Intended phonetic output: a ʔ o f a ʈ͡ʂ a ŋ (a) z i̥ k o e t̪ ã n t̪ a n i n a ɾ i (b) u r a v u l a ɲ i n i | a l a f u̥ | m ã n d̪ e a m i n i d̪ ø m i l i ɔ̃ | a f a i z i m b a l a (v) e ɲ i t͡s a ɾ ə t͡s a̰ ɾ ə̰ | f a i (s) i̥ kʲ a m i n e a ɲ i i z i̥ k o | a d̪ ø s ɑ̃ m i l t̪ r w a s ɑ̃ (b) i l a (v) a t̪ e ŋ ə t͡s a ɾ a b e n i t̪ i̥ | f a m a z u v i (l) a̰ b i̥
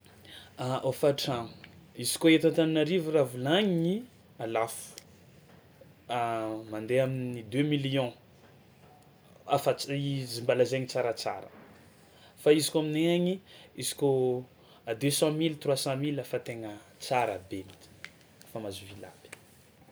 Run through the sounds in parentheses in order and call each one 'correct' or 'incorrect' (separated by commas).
incorrect, incorrect, incorrect, incorrect, incorrect, incorrect, correct